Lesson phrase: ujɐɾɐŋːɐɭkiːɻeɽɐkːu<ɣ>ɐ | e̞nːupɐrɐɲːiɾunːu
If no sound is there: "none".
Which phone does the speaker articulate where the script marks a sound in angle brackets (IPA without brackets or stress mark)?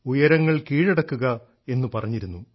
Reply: ɣ